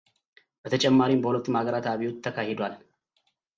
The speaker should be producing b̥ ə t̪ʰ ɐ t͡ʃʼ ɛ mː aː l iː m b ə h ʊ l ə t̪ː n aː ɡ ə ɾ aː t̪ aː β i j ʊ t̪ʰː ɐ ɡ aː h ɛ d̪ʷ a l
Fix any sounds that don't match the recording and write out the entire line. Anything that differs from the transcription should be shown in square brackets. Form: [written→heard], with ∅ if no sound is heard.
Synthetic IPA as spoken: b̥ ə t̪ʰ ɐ t͡ʃʼ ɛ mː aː [l→ɾ] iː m b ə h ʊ l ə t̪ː [n→m] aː ɡ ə ɾ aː t̪ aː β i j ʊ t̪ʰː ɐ [ɡ→k] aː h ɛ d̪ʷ a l